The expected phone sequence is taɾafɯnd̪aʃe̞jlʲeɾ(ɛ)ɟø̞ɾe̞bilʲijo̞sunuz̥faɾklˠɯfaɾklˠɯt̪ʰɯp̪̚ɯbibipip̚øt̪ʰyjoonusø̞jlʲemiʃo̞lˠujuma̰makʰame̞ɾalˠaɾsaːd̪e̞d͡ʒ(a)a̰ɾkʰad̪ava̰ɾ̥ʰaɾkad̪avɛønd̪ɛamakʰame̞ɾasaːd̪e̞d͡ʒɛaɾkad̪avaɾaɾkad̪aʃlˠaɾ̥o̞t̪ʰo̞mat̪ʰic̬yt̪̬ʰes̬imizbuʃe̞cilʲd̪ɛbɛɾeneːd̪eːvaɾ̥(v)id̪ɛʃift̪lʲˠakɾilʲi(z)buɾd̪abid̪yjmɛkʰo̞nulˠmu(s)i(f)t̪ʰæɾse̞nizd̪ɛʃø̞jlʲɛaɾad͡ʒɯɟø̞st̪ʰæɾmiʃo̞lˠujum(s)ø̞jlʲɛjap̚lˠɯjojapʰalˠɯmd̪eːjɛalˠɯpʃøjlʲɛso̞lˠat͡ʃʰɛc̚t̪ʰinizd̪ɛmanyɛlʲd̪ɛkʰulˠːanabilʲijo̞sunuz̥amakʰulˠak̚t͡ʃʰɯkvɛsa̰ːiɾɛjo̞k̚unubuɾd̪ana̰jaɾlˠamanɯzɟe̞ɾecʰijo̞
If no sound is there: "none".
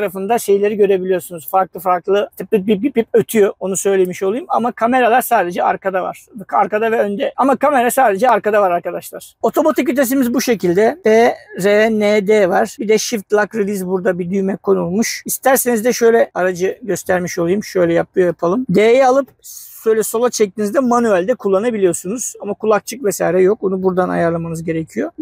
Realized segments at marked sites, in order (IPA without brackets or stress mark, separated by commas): i, ɛ, b, z, ʃ, s, ʃ